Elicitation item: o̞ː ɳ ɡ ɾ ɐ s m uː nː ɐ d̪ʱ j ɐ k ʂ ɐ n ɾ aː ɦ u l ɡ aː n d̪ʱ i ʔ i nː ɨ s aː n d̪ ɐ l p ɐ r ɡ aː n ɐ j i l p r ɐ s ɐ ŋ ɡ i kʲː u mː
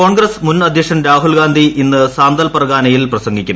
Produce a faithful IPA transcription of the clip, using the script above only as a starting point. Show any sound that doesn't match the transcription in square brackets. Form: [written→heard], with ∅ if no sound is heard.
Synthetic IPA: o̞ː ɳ ɡ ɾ ɐ s m [uː→u] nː ɐ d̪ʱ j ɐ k ʂ ɐ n ɾ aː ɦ u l ɡ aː n d̪ʱ i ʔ i nː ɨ s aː n d̪ ɐ l p ɐ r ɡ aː n ɐ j i l p r ɐ s ɐ ŋ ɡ i kʲː u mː